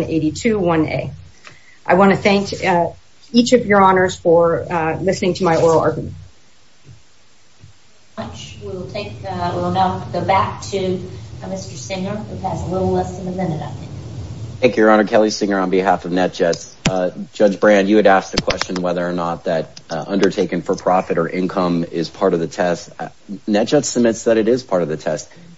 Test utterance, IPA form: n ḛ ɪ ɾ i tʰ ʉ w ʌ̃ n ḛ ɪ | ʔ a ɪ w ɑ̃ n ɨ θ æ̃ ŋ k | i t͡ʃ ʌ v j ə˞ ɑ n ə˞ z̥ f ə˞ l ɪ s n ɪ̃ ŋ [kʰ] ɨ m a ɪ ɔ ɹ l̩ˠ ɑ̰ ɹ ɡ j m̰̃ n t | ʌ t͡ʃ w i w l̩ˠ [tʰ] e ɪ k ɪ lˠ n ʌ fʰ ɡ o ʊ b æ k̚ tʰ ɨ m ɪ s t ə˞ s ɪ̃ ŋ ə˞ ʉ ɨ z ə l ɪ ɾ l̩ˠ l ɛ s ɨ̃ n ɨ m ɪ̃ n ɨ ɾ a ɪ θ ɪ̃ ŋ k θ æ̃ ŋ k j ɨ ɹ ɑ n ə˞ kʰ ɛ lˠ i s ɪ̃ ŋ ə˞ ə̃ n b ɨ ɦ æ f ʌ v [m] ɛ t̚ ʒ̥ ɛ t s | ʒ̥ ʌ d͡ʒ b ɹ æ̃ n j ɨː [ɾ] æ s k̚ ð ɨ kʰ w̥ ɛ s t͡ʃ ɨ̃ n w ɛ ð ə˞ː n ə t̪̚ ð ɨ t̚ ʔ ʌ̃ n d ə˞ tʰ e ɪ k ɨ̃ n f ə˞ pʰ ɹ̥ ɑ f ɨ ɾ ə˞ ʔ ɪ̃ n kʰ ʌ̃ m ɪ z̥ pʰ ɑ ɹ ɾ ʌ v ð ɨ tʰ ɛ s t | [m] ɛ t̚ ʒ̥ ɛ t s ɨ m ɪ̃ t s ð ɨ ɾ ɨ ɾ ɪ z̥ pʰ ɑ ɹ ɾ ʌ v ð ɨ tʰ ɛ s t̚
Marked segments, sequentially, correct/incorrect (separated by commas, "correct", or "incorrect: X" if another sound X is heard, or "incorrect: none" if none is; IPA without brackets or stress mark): incorrect: tʰ, correct, incorrect: n, correct, incorrect: n